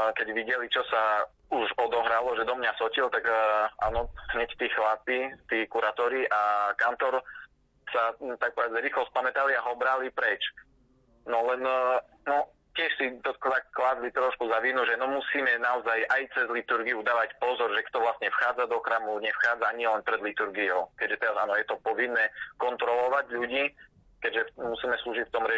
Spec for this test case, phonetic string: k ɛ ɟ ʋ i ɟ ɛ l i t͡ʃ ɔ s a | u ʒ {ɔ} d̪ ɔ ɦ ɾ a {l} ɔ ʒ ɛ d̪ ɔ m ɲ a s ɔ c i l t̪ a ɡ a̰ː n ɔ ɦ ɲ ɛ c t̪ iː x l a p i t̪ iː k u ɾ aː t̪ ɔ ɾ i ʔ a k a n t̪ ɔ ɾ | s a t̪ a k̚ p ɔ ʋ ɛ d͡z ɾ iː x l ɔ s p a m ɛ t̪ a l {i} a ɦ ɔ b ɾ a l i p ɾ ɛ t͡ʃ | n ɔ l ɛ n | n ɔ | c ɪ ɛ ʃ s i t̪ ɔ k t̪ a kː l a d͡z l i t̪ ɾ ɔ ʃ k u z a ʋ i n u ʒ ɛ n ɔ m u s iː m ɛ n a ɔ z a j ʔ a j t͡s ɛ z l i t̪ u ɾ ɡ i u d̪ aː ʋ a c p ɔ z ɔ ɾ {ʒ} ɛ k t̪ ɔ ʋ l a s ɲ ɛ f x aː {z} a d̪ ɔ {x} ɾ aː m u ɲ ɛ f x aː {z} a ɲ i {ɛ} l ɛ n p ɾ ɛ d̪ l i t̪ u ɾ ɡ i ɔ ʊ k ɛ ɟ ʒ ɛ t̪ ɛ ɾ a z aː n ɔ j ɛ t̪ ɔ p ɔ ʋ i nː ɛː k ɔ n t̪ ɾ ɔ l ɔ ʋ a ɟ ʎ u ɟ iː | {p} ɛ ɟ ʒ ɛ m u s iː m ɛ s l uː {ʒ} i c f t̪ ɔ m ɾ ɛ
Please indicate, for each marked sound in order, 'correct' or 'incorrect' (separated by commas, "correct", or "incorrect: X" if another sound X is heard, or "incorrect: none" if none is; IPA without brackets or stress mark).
correct, correct, correct, correct, incorrect: d͡z, correct, incorrect: d͡z, correct, incorrect: k, correct